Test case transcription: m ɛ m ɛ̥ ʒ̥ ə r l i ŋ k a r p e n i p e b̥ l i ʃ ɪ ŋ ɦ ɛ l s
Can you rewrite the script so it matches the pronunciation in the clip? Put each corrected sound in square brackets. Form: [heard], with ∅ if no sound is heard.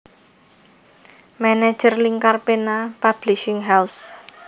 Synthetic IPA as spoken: m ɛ [n] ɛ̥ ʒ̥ ə r l i ŋ k a r p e n [a] p [a] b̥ l i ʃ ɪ ŋ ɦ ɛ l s